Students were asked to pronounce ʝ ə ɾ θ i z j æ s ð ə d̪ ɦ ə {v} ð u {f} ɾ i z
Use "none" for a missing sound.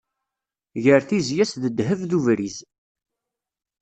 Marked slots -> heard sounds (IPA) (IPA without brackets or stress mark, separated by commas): v, v